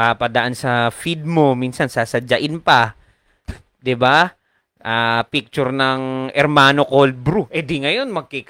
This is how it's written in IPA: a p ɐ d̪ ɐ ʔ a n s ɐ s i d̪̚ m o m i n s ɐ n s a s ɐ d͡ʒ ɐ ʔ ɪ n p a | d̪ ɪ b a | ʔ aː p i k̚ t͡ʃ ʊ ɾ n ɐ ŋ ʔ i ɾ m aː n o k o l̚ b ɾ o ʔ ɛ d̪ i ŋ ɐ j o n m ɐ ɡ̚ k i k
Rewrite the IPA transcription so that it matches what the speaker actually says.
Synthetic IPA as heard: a p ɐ d̪ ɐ ʔ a n s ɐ f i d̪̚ m o m i n s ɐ n s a s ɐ d͡ʒ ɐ ʔ ɪ n p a | d̪ ɪ b a | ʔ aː p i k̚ t͡ʃ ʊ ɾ n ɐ ŋ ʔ ɛ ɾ m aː n o k o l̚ b ɾ u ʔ ɛ d̪ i ŋ ɐ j o n m ɐ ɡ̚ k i k